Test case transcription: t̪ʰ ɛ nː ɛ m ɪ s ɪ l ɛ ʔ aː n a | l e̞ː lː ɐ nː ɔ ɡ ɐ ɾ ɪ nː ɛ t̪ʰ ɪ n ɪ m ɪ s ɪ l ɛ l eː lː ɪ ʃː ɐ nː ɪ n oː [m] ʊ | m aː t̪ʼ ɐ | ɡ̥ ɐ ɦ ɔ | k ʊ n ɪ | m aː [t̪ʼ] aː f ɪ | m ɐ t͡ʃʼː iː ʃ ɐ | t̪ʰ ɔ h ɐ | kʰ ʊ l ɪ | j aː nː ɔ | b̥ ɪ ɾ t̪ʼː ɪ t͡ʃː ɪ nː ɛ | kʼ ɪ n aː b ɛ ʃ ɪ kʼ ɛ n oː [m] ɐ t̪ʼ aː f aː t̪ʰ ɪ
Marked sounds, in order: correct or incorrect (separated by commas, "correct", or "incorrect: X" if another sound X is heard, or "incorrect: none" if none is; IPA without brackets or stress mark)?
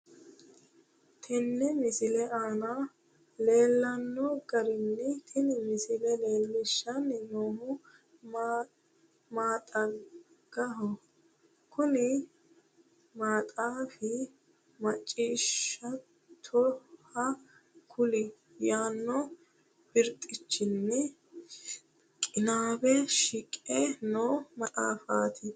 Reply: correct, correct, correct